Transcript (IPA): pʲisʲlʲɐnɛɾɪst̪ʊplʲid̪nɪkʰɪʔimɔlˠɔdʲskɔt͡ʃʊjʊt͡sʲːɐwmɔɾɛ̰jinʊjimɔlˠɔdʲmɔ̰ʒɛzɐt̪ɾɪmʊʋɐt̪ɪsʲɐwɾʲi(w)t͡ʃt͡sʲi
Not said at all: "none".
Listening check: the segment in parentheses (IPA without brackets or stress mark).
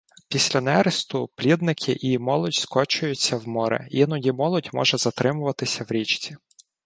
none